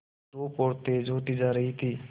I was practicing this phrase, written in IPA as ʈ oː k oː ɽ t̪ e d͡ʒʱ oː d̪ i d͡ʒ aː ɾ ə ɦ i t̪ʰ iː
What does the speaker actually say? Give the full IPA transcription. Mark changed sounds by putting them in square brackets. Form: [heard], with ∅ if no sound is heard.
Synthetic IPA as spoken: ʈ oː [p] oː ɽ t̪ e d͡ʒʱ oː [t̪] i d͡ʒ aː ɾ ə ɦ i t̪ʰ iː